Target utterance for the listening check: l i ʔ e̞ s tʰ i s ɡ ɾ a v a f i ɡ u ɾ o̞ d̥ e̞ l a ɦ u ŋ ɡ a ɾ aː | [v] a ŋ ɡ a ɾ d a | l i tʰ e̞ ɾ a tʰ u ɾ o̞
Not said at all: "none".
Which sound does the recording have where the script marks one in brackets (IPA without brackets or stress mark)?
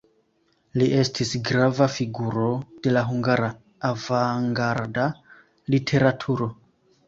v